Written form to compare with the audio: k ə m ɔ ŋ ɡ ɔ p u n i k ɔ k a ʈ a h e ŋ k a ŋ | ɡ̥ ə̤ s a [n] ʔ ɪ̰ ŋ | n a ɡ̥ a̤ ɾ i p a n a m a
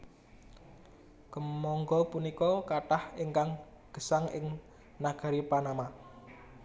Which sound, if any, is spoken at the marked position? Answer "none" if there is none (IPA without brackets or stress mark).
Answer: ŋ